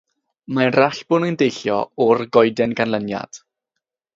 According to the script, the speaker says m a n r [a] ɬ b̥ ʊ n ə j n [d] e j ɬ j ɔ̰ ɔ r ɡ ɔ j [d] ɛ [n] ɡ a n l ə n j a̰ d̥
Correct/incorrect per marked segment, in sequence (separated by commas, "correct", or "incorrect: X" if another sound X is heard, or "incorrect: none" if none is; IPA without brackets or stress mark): correct, correct, correct, correct